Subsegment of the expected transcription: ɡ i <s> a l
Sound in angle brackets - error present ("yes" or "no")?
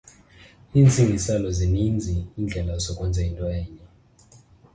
no